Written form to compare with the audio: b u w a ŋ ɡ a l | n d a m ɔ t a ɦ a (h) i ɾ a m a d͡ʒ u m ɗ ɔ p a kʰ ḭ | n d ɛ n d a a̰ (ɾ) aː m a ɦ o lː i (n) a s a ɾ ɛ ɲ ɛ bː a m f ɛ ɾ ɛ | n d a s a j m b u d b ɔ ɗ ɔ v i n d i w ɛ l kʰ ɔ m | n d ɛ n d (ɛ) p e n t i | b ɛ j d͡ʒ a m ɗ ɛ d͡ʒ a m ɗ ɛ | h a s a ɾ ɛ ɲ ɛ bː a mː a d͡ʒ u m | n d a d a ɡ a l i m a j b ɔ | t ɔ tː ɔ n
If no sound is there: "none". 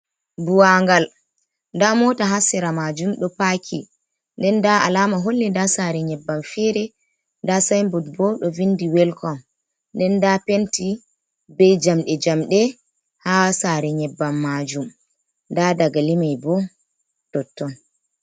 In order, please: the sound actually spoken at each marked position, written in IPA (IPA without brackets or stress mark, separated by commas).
s, l, d, a